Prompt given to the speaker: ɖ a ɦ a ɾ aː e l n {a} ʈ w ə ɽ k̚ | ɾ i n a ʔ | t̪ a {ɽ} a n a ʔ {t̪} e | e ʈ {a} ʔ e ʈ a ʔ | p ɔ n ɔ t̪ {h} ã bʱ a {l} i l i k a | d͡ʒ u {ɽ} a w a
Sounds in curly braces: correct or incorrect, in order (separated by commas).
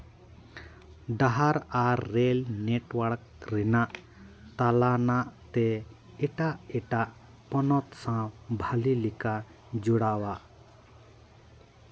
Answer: incorrect, incorrect, correct, correct, incorrect, correct, correct